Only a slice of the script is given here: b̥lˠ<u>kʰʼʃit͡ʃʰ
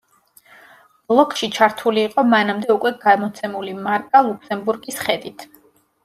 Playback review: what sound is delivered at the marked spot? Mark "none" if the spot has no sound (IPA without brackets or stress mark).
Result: ɔ